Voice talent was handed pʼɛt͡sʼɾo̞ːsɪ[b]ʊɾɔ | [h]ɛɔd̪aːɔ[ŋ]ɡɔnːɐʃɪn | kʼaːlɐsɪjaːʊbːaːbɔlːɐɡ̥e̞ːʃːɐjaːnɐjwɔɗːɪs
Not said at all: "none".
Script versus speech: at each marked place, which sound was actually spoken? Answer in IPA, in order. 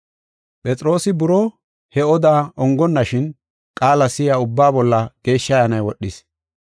b, h, ŋ

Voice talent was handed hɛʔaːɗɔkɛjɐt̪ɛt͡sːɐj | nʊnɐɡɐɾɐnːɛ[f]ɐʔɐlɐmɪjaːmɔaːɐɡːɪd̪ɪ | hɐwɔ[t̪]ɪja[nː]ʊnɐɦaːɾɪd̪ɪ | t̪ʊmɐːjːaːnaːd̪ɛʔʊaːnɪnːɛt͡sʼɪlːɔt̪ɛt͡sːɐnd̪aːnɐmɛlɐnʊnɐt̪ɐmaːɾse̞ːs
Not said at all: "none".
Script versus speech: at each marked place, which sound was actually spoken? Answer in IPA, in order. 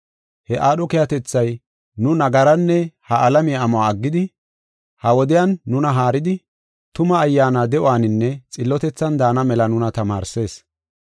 h, d̪, nː

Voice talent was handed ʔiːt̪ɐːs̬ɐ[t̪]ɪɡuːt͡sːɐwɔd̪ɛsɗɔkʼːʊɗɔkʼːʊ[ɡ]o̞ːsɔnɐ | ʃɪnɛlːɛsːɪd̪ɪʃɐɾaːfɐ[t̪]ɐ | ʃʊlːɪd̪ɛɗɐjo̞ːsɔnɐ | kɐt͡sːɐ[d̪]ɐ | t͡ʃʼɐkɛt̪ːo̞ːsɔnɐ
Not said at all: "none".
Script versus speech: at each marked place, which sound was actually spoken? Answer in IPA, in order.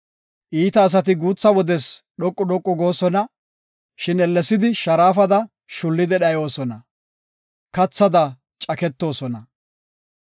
t̪, ɡ, d̪, d̪

